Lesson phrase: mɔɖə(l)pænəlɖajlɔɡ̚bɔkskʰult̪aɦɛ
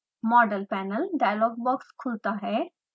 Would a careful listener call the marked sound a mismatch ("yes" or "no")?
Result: no